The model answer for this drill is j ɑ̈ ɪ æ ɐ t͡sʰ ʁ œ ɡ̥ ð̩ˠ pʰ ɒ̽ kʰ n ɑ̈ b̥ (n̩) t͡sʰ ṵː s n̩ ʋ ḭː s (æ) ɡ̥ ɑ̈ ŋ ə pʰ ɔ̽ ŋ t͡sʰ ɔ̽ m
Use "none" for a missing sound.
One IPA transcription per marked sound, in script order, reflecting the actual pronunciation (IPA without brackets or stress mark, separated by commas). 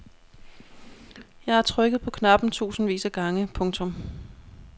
n̩, æ